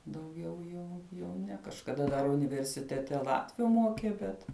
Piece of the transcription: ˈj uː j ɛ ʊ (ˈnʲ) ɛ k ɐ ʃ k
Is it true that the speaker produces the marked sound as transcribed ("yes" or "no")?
yes